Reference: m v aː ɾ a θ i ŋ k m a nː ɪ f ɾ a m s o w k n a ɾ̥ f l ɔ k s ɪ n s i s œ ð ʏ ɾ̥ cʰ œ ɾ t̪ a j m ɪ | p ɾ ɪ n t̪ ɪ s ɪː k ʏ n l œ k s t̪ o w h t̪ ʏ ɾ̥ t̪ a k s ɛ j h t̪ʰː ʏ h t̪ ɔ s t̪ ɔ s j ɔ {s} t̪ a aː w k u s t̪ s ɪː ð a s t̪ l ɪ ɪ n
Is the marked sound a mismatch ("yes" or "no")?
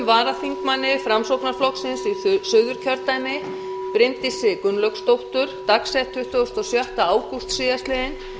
yes